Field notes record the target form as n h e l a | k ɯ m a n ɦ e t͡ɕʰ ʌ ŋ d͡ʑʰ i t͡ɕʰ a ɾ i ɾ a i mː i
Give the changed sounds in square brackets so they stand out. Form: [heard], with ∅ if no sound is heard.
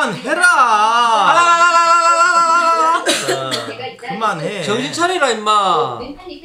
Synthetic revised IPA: n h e [ɾ] a | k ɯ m a n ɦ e [t͡ɕ] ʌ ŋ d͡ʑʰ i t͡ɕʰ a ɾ i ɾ a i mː [a]